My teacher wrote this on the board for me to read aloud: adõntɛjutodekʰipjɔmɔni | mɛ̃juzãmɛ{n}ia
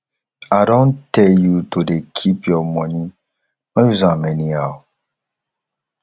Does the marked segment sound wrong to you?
no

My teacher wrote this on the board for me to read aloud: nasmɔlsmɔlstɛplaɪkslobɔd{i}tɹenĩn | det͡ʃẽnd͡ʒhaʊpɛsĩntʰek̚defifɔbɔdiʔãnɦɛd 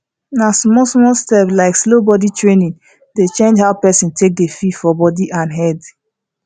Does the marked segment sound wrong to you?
no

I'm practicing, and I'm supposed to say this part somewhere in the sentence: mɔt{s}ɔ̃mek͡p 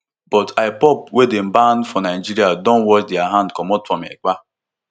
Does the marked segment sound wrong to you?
yes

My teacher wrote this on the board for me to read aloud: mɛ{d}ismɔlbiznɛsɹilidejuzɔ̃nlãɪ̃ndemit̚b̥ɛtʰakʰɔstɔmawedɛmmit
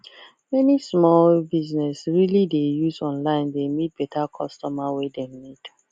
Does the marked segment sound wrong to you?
yes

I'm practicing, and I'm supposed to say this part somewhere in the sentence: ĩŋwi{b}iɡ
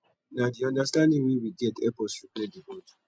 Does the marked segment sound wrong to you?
yes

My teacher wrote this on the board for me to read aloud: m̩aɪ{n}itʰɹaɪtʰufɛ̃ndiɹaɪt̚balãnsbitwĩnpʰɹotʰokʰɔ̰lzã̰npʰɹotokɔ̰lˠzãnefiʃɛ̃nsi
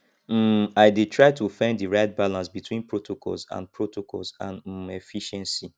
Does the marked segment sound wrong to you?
yes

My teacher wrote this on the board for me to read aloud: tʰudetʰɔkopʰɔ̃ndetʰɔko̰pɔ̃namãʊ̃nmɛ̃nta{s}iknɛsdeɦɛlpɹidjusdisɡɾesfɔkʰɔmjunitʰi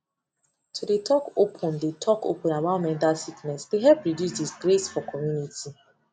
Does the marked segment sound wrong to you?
no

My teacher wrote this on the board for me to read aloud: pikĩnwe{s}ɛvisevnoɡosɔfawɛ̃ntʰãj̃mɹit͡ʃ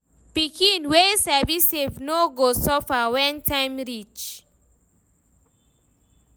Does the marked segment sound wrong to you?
no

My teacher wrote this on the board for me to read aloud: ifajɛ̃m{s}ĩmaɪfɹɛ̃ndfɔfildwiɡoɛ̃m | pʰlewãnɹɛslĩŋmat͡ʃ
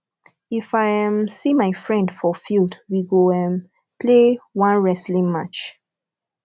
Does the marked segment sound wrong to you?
no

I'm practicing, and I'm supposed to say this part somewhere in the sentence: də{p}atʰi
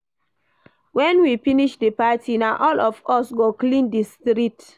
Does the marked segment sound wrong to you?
no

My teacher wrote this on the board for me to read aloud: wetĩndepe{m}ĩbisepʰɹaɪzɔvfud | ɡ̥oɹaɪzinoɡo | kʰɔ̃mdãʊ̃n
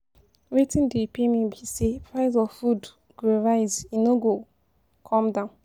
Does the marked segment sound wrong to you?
no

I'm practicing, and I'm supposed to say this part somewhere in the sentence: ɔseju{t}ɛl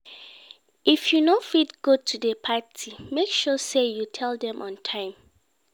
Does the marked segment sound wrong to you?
yes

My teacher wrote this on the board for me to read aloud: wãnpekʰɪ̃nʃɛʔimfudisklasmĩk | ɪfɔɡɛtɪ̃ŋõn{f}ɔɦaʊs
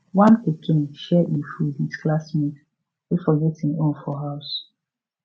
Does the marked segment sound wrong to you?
no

